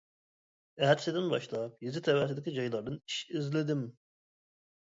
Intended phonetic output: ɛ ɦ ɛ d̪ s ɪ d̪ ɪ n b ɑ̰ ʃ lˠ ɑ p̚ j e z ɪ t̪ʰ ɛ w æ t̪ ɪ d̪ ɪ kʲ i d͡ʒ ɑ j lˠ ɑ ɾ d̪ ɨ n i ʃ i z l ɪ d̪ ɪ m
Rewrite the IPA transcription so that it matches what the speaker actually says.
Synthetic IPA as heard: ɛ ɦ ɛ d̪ s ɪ d̪ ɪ n b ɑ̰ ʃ lˠ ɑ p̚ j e z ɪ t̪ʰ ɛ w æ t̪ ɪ d̪ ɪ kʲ i d͡ʒ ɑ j lˠ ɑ ɾ d̪ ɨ n i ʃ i z l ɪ d̪ ɪ m